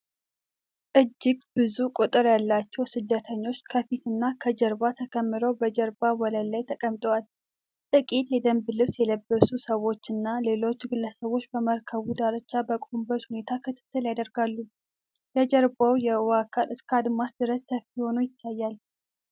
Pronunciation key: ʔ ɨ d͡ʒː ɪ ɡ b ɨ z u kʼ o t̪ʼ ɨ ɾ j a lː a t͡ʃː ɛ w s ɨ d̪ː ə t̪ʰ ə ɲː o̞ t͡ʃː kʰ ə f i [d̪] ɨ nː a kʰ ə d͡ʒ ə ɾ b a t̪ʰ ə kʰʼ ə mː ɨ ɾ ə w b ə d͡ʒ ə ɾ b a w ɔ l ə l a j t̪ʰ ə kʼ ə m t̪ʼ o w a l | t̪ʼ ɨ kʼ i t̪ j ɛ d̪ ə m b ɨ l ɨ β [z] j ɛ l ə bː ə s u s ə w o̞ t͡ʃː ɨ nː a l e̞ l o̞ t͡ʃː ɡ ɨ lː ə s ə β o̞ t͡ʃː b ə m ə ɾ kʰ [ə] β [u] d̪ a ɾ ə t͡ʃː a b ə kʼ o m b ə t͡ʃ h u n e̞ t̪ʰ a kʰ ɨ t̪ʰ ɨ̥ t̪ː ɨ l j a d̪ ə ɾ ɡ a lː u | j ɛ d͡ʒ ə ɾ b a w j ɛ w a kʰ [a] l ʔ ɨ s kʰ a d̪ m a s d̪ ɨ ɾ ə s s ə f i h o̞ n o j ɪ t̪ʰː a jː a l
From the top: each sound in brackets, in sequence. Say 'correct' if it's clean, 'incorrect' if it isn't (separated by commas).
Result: incorrect, incorrect, correct, correct, correct